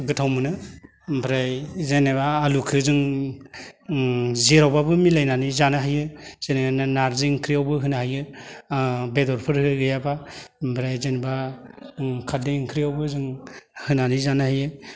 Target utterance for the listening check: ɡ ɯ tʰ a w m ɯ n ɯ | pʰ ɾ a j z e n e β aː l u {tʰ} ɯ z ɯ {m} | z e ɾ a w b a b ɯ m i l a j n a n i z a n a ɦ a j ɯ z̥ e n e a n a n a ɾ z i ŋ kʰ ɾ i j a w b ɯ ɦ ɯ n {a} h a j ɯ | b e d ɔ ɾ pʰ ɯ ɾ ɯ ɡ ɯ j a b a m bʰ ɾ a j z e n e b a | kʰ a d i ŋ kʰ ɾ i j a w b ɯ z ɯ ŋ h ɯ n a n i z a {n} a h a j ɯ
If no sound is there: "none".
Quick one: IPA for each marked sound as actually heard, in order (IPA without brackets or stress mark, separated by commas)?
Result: kʰ, ŋ, a, n